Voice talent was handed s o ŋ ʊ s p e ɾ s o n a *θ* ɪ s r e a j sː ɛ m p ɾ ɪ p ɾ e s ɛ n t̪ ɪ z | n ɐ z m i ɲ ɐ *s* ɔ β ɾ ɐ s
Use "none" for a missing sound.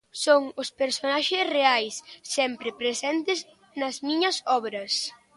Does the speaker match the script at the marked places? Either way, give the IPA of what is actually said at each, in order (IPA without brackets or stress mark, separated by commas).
ʃ, s